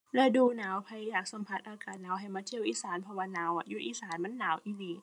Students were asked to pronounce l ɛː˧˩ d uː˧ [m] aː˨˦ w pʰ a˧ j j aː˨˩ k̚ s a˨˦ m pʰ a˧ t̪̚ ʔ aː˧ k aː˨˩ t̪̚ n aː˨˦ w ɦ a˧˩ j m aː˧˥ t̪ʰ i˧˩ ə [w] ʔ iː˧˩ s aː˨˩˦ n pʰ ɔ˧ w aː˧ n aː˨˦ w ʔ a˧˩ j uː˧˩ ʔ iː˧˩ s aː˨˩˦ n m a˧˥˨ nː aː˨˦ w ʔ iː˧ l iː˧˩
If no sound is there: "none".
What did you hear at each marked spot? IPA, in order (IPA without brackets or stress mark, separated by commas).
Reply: n, w